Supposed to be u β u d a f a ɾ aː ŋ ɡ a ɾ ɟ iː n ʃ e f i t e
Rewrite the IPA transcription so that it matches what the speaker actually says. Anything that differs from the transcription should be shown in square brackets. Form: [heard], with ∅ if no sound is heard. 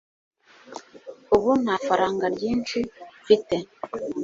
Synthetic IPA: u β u [n] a f a ɾ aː ŋ ɡ a ɾ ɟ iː n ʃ [i] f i t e